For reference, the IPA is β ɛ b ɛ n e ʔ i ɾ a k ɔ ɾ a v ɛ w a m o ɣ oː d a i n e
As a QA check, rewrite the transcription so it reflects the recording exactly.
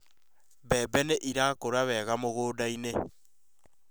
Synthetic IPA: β ɛ b ɛ n e ʔ i ɾ a k o ɾ a β ɛ ɣ a m o ɣ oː d a i n e